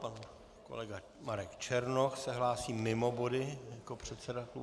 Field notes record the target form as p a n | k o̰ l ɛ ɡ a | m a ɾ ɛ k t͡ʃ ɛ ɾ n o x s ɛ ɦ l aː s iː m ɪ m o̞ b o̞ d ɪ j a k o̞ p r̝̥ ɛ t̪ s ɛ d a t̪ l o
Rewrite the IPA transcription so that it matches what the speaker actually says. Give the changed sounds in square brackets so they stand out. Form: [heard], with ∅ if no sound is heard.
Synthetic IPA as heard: p a n | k o̰ l ɛ ɡ a | m a ɾ ɛ k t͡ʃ ɛ ɾ n o x s ɛ ɦ l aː s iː m ɪ m o̞ b o̞ d ɪ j a k o̞ p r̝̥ ɛ t̪ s ɛ d a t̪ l [u]